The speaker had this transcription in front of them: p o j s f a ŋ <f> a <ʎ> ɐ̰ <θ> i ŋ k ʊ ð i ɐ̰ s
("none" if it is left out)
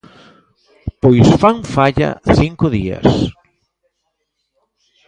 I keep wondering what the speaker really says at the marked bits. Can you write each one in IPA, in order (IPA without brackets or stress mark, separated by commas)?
f, ʎ, θ